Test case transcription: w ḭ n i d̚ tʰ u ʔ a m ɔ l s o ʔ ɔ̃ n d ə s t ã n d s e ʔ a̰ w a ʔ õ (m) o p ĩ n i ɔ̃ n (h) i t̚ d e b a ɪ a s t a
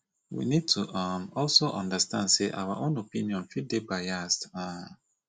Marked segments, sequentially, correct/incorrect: incorrect: n, incorrect: f

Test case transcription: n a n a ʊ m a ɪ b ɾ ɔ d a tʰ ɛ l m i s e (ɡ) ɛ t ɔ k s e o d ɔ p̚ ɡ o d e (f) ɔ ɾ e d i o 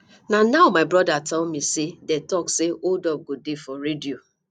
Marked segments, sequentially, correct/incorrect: incorrect: d, correct

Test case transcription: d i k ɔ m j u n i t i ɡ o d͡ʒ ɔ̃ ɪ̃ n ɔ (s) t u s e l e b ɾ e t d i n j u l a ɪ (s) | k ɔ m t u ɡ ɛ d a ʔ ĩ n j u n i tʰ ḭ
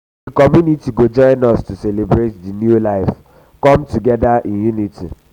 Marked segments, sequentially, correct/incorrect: correct, incorrect: f

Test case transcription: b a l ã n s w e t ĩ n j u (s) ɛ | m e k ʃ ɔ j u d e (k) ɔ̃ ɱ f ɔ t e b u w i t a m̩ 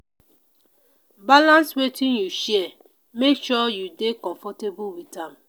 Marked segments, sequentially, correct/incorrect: incorrect: ʃ, correct

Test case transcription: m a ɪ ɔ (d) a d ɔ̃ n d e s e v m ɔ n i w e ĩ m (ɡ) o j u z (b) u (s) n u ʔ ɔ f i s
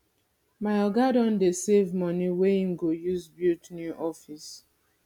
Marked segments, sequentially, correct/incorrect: incorrect: ɡ, correct, correct, incorrect: t

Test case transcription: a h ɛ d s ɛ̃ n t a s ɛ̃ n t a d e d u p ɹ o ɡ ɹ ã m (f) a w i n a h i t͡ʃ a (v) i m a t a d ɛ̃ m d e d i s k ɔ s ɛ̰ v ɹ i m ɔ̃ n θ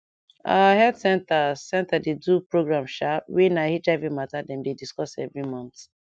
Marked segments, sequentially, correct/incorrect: incorrect: ʃ, correct

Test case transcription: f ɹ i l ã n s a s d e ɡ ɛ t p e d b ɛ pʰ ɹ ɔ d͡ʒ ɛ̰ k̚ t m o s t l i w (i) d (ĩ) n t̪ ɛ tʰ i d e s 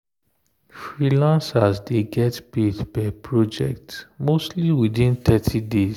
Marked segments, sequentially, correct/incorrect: correct, correct

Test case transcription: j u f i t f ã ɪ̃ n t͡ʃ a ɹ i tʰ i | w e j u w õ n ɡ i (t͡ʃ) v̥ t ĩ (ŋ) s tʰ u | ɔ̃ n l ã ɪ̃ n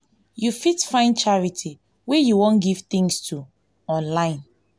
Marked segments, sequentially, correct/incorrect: incorrect: none, correct

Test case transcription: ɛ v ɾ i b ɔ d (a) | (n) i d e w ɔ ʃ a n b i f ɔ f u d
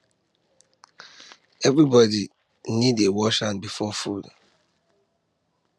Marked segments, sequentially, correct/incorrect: incorrect: i, correct

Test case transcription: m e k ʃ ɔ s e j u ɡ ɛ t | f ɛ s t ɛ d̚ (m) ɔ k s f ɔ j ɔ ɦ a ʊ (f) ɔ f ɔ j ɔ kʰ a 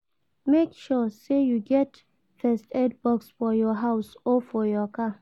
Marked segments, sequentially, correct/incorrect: incorrect: b, incorrect: s

